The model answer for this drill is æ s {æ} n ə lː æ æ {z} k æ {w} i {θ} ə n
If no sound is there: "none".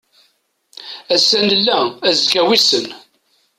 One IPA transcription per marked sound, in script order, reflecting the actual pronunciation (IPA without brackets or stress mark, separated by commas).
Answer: æ, z, w, s